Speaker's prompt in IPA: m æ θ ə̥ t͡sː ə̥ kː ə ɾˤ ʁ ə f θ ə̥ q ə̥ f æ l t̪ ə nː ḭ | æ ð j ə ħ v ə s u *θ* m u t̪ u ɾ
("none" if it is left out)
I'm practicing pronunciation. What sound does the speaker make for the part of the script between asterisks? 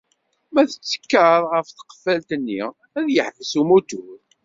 none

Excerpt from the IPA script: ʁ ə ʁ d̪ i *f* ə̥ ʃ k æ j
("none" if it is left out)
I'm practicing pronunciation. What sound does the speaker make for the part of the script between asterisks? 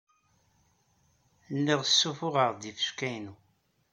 f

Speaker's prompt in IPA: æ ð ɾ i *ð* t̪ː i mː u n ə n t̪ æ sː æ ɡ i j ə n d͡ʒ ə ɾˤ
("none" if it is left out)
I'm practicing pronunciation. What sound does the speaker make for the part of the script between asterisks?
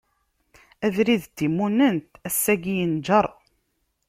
ð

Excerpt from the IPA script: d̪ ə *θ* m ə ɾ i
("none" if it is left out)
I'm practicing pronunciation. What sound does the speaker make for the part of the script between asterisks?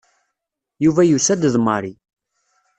ð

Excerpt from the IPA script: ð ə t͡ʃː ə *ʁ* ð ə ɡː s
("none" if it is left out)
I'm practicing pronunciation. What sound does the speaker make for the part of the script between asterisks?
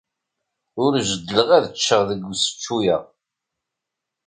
ʁ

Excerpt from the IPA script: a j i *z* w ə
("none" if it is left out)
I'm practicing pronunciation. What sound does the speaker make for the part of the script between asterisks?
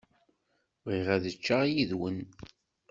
ð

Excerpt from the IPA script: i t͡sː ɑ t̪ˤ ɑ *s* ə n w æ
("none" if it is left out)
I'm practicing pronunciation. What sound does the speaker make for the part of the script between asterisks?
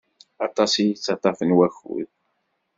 f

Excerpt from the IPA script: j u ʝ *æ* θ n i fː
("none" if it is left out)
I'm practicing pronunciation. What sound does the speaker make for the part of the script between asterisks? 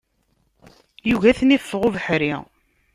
æ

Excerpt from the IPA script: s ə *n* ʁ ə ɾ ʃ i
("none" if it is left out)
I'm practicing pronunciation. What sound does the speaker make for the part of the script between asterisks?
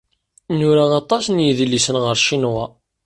n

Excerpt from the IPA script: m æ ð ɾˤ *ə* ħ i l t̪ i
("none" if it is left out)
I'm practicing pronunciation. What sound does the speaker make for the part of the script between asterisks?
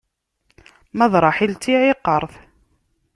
ɑ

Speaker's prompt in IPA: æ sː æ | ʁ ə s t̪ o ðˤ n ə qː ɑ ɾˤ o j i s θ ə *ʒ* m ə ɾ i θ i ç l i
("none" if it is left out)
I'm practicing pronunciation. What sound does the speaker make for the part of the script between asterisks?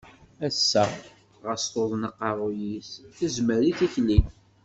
z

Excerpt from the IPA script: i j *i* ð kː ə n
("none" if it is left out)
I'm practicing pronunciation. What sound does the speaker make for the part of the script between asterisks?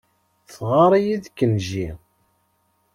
i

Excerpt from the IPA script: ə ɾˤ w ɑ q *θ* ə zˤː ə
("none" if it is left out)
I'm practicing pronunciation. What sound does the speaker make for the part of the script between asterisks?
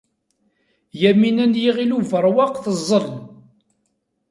θ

